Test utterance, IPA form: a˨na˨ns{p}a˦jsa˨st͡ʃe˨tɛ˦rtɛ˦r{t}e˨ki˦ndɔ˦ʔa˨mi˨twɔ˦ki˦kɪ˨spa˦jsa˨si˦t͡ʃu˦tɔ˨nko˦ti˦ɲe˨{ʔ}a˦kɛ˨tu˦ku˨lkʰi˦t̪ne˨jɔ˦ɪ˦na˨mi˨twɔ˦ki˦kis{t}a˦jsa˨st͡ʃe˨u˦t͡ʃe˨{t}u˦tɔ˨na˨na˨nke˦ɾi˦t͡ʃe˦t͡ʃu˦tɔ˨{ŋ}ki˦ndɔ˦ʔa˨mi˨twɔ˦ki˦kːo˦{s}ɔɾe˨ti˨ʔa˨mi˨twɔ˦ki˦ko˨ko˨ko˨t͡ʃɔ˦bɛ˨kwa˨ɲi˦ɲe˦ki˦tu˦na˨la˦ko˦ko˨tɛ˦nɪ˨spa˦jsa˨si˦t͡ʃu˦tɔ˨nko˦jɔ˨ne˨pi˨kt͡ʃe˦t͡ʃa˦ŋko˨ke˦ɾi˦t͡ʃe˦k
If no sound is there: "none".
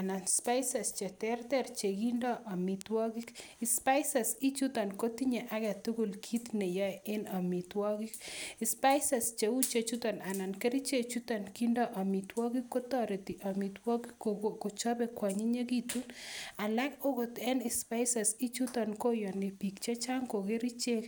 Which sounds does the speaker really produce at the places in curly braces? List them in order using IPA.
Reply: p, t͡ʃ, ʔ, p, t͡ʃ, n, t

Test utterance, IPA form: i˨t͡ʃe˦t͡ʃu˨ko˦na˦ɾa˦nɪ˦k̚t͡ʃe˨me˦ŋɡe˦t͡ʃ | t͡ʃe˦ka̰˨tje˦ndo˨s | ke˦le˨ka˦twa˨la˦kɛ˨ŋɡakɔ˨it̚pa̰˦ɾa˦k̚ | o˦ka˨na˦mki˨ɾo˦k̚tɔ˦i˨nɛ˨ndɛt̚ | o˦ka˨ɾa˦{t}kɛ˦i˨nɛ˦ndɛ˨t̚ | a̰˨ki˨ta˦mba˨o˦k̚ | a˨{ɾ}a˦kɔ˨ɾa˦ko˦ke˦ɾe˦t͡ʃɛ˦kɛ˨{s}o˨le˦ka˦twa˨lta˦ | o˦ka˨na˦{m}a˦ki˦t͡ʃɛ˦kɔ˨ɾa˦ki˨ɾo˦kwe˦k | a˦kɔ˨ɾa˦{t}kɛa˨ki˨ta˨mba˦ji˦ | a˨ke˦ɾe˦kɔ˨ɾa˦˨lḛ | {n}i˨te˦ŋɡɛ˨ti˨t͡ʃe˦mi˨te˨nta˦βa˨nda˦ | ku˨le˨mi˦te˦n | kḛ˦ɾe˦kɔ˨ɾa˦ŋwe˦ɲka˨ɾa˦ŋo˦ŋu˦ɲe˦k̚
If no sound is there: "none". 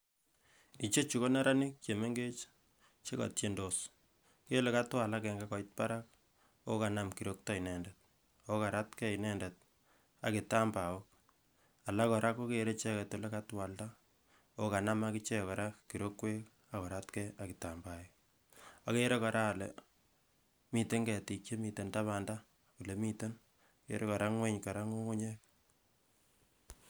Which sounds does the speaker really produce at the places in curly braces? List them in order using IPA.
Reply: t, l, t, m, t, m

